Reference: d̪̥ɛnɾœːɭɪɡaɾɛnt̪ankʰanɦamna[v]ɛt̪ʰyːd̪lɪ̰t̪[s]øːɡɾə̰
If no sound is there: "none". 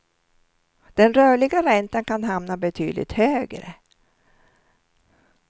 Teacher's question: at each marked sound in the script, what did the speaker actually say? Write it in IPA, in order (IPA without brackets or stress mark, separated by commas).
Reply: b, h